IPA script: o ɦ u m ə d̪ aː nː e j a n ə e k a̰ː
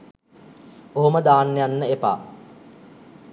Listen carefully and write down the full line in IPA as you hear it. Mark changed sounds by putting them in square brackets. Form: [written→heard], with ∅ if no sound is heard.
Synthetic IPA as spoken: o ɦ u m ə d̪ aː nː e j a [n→nː] ə e [k→p] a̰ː